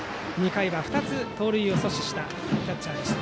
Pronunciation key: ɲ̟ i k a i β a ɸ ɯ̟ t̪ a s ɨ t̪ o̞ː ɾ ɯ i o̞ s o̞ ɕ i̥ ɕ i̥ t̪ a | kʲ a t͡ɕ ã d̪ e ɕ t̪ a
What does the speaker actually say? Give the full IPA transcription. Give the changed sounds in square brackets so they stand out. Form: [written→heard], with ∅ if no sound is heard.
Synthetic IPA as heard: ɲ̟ i k a i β a ɸ ɯ̟ t̪ a [s→t͡s] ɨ t̪ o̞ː ɾ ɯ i o̞ s o̞ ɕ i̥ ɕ i̥ t̪ a | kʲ a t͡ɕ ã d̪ e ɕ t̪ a